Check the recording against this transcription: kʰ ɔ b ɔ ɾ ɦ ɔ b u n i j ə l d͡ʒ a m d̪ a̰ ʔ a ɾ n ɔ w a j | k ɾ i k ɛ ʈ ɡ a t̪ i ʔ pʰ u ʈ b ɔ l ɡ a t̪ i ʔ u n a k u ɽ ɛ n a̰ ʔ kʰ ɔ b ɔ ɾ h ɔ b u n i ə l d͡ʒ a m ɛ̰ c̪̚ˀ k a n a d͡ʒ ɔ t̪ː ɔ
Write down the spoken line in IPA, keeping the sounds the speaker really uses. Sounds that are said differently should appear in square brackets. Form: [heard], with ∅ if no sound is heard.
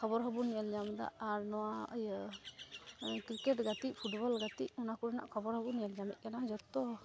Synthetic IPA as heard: kʰ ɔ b ɔ ɾ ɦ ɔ b u n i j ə l d͡ʒ a m d̪ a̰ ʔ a ɾ n ɔ w a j | k ɾ i k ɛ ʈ ɡ a t̪ i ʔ pʰ u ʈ b ɔ l ɡ a t̪ i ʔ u n a k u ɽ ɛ n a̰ ʔ kʰ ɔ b ɔ ɾ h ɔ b u n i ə l d͡ʒ a m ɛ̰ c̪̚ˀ k a n a d͡ʒ ɔ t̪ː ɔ